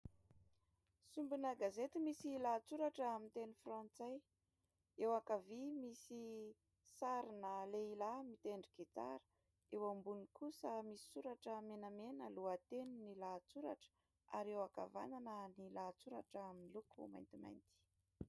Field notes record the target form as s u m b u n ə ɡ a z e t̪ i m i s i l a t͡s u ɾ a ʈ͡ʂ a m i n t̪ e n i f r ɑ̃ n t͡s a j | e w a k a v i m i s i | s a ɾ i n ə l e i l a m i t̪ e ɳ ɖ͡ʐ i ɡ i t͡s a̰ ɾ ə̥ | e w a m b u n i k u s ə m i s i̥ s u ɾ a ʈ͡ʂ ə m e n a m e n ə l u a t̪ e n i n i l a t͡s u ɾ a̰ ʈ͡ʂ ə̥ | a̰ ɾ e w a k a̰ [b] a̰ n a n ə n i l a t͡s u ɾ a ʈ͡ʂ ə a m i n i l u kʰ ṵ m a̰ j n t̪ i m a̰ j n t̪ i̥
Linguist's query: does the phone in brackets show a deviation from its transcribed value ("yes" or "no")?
yes